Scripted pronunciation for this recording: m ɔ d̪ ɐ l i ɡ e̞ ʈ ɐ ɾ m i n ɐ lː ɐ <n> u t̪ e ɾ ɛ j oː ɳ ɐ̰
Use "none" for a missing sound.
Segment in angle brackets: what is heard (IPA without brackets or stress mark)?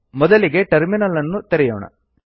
nː